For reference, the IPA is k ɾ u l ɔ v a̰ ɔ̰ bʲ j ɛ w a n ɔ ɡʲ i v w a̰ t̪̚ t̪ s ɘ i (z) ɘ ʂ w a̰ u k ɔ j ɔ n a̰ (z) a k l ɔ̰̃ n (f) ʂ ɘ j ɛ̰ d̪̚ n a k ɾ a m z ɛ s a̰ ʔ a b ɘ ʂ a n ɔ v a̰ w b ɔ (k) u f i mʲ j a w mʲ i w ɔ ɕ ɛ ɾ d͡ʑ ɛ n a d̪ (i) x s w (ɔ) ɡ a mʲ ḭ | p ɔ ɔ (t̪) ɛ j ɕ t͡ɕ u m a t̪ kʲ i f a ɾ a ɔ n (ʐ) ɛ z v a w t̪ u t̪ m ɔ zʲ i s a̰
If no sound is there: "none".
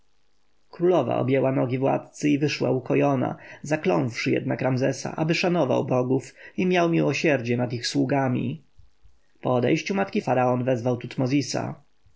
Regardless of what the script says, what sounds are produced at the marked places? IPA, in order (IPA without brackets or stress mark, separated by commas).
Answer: v, z, f, ɡ, i, u, d̪, v